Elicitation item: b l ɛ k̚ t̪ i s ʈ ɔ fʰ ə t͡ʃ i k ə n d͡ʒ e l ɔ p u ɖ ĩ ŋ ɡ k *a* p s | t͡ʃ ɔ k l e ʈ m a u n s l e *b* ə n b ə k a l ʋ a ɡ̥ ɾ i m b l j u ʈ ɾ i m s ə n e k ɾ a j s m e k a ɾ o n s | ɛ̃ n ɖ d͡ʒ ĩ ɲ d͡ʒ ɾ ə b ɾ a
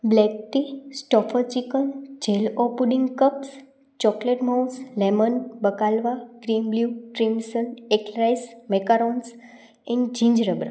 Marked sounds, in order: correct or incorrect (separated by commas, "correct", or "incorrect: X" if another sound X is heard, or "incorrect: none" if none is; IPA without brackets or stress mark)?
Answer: incorrect: ə, incorrect: m